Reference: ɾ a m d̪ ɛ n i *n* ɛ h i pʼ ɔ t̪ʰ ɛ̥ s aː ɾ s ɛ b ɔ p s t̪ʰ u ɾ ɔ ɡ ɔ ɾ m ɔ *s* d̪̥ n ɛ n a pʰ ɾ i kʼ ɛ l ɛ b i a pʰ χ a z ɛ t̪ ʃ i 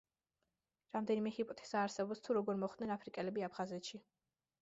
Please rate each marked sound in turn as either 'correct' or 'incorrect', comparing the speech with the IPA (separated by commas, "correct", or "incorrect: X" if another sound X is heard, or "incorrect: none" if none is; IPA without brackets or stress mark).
incorrect: m, incorrect: χ